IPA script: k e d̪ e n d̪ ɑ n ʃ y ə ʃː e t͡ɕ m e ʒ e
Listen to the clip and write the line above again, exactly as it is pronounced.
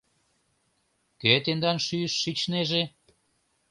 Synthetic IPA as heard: k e t̪ e n d̪ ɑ n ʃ y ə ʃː i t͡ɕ n e ʒ e